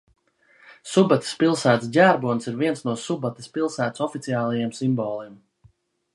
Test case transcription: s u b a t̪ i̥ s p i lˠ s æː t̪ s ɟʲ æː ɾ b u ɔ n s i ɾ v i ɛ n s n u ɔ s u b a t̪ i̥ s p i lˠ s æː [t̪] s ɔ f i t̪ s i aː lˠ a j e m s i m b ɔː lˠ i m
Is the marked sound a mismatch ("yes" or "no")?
no